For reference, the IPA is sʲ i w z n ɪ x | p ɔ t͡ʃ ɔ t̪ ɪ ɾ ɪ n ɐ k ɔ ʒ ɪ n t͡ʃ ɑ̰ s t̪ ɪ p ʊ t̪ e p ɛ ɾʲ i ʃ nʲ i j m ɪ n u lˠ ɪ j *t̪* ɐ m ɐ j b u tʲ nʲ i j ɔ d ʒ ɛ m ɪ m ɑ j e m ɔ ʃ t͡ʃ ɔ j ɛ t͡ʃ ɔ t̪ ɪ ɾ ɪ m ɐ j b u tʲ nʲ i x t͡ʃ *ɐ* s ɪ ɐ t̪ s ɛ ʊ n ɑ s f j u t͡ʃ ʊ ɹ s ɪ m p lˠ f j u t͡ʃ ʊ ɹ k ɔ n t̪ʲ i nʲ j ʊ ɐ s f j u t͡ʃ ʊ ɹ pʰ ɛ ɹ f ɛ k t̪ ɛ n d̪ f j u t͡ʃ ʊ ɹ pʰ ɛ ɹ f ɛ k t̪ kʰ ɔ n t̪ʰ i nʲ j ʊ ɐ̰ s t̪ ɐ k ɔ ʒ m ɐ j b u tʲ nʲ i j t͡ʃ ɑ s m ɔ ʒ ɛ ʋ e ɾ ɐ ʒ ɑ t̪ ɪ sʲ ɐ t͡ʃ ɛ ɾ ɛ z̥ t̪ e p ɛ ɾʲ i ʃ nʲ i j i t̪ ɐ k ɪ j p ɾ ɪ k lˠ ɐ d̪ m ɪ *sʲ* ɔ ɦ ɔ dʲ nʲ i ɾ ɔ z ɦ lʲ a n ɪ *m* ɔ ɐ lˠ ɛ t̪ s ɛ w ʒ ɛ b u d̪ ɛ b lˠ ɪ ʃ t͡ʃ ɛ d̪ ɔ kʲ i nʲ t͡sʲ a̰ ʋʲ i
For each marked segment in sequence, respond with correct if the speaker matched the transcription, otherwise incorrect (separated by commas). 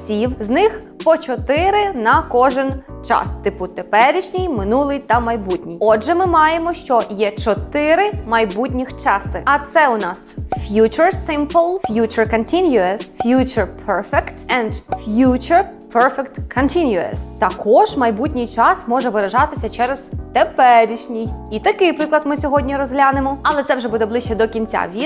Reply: correct, incorrect, correct, correct